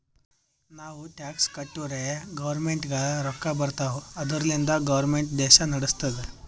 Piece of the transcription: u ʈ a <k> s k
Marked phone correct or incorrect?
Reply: correct